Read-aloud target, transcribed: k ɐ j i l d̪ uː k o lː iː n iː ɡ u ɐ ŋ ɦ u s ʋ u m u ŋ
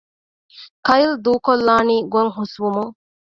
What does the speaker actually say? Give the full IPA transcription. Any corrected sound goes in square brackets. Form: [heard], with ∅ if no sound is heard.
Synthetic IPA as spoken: k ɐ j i l d̪ uː k o lː [aː] n iː ɡ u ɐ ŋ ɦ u s ʋ u m u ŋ